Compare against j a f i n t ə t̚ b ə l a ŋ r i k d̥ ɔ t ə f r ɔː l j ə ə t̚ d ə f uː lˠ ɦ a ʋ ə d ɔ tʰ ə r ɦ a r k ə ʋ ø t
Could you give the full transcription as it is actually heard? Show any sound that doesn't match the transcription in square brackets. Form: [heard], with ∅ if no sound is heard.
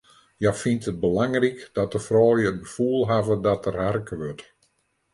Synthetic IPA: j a f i n t ə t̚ b ə l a ŋ r i k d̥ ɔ t ə f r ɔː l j ə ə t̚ [b] ə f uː lˠ ɦ a [v] ə d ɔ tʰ ə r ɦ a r k ə ʋ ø t